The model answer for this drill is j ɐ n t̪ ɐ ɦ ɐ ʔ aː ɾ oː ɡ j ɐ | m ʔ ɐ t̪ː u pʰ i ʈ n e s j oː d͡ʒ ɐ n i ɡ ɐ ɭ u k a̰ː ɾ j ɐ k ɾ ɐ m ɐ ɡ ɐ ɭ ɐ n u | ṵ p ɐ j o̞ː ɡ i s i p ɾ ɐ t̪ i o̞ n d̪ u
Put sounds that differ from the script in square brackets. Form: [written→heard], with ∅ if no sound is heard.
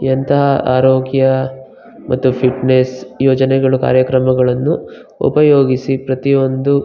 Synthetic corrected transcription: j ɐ n t̪ ɐ ɦ ɐ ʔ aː ɾ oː ɡ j ɐ | m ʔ ɐ t̪ː u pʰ i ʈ n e s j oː d͡ʒ ɐ n [i→ɛ] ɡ ɐ ɭ u k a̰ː ɾ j ɐ k ɾ ɐ m ɐ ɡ ɐ ɭ ɐ [n→nː] u | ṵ p ɐ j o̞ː ɡ i s i p ɾ ɐ t̪ i o̞ n d̪ u